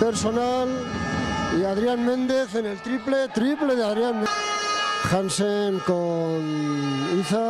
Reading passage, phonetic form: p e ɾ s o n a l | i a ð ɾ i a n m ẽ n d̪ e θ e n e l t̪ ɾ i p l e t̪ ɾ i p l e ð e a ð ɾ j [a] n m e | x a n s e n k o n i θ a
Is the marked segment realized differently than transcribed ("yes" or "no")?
no